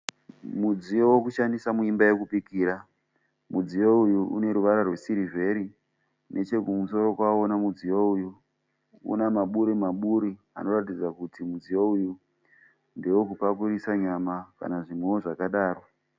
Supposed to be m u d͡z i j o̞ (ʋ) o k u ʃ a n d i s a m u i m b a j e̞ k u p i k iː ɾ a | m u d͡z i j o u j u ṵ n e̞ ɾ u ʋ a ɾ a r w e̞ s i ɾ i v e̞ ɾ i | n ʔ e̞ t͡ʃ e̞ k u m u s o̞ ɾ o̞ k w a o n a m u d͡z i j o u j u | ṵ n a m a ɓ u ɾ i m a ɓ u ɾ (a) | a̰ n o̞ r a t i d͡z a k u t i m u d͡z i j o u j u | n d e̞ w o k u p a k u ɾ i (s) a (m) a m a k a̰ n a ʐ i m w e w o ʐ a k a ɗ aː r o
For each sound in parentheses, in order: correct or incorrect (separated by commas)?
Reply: incorrect, incorrect, correct, incorrect